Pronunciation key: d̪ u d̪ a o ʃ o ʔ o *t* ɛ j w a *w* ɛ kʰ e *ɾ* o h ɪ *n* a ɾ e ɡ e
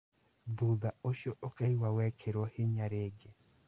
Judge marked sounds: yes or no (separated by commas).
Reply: no, yes, yes, no